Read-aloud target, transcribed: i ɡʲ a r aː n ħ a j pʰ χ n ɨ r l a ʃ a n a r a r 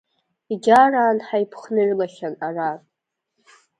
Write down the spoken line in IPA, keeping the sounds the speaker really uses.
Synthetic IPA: i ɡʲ a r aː n ħ a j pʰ χ n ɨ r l a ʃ a n a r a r